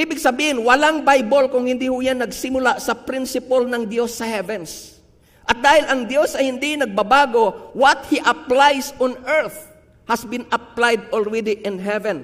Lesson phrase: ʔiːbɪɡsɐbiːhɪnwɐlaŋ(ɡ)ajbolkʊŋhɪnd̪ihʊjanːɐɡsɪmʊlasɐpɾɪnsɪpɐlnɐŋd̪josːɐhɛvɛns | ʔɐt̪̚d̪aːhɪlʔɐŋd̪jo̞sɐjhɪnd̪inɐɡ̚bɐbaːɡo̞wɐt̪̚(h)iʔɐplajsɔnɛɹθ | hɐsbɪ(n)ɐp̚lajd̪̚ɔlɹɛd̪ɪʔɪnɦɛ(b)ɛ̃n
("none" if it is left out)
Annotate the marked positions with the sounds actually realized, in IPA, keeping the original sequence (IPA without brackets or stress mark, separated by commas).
b, h, n, v